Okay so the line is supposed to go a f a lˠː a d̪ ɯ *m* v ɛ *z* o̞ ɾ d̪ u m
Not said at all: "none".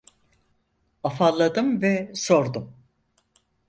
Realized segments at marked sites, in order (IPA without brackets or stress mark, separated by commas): m, s